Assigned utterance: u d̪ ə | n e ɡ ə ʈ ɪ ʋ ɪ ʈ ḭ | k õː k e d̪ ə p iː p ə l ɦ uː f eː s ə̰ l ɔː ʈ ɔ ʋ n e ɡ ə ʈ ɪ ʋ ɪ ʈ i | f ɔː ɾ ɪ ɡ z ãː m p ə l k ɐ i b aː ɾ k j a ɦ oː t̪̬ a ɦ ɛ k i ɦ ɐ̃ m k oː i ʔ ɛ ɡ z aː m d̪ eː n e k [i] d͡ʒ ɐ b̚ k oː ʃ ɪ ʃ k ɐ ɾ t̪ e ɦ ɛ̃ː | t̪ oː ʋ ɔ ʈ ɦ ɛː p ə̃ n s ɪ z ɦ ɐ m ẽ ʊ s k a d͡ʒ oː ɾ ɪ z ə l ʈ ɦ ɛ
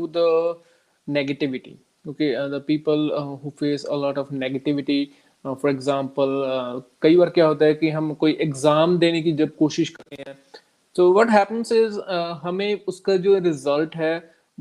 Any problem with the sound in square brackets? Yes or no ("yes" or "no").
no